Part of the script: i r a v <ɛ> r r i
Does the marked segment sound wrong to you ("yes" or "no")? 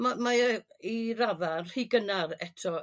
yes